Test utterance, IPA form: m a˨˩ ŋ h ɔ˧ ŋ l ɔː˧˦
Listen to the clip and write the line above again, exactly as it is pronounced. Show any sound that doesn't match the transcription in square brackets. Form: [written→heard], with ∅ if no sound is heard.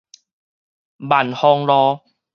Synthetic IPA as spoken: [m→b] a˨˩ [ŋ→n] h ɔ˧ ŋ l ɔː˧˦